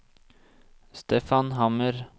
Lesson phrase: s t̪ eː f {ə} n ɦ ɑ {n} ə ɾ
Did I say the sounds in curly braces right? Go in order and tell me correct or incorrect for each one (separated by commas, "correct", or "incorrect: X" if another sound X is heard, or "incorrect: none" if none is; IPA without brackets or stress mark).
incorrect: ɑ, incorrect: m